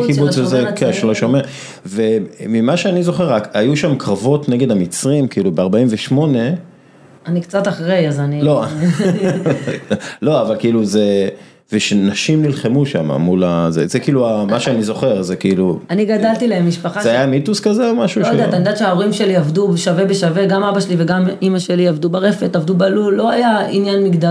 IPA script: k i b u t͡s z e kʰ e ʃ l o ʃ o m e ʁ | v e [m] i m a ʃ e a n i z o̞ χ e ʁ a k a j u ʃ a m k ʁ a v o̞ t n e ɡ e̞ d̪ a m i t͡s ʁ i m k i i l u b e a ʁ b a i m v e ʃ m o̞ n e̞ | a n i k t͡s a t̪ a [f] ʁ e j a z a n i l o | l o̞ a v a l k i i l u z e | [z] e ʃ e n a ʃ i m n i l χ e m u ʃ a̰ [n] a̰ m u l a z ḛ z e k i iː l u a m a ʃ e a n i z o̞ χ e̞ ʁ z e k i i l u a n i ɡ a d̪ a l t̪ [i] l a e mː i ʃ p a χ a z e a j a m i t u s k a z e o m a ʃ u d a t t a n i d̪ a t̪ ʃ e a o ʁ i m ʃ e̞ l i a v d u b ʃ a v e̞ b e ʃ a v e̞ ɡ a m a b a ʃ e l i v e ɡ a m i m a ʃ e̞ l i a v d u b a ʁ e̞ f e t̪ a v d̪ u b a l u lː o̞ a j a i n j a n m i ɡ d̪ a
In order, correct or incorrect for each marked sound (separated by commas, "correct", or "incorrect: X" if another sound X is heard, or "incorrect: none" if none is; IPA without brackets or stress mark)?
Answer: correct, incorrect: χ, incorrect: v, incorrect: m, correct